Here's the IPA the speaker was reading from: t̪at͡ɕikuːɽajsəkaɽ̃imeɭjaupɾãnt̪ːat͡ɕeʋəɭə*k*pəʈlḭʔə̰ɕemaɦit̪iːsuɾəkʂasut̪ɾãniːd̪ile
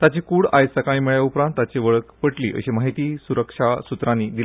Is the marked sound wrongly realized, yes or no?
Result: no